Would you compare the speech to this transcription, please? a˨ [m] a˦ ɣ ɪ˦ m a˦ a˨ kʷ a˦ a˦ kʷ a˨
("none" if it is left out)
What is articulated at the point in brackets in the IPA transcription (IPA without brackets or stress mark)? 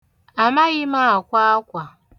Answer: m